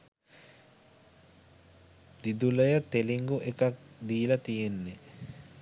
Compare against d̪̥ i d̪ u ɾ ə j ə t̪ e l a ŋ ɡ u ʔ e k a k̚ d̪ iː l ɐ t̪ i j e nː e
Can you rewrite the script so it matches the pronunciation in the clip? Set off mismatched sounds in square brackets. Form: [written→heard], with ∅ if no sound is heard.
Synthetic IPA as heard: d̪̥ i d̪ u [ɾ→l] ə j ə t̪ e l [a→i] ŋ ɡ u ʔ e k a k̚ d̪ iː l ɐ t̪ i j e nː e

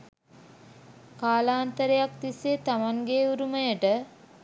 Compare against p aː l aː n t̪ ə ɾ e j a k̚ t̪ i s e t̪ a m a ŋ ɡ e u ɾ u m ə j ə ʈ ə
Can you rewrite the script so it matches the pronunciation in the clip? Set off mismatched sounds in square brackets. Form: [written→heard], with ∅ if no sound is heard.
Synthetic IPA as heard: [p→k] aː l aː n t̪ ə ɾ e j a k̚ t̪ i s e t̪ a m a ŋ ɡ e u ɾ u m ə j ə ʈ ə

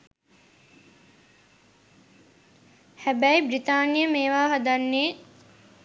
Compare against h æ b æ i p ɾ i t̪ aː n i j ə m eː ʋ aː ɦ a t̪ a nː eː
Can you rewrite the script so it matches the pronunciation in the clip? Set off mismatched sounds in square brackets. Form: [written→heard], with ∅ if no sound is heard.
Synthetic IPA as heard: h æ b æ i [p→b] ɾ i t̪ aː n i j ə m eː ʋ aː ɦ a [t̪→d̪] a nː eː

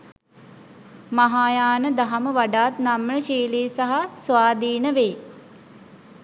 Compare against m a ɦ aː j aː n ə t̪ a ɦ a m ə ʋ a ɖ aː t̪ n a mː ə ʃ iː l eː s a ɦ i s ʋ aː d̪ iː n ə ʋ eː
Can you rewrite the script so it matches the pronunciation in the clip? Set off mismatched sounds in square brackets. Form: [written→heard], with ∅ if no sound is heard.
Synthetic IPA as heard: m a ɦ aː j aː n ə [t̪→d̪] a ɦ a m ə ʋ a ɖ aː t̪ n a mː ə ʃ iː l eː s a ɦ [i→a] s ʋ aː d̪ iː n ə ʋ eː

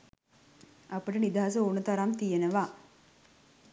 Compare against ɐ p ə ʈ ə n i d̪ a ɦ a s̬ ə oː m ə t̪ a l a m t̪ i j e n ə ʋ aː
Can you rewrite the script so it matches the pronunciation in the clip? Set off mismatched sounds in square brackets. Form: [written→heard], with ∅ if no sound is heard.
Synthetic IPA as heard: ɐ p ə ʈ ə n i d̪ a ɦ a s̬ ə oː [m→n] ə t̪ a [l→ɾ] a m t̪ i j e n ə ʋ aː

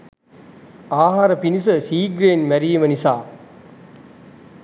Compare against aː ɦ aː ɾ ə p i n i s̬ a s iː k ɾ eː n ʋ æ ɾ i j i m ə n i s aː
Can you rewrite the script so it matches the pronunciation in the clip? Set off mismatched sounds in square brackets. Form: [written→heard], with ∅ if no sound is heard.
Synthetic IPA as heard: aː ɦ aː ɾ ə p i n i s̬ [a→ə] s iː [k→ɡ] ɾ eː n ʋ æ ɾ i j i m ə n i s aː

